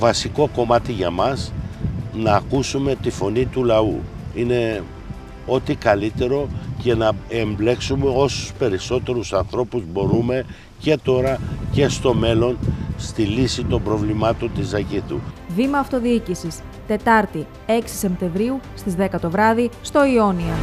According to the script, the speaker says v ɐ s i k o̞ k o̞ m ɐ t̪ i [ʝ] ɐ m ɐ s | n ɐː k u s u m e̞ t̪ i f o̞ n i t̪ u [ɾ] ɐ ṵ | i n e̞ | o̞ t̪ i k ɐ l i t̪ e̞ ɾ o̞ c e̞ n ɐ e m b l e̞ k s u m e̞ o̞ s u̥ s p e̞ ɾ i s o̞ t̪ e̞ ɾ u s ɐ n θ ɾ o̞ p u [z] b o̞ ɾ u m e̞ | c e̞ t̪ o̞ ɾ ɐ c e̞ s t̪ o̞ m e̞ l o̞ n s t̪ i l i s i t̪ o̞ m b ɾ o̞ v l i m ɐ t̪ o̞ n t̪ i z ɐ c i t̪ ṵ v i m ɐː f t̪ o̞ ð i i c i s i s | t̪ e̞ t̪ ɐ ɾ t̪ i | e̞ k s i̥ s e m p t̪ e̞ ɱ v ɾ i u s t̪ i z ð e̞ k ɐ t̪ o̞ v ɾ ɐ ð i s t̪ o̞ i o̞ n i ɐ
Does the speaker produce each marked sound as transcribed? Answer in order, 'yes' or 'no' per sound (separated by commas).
yes, no, yes